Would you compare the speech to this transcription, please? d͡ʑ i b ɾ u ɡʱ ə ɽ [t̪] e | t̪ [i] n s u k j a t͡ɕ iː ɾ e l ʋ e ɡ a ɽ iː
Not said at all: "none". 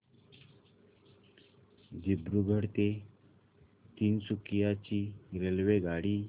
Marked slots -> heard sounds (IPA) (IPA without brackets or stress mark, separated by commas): t̪, iː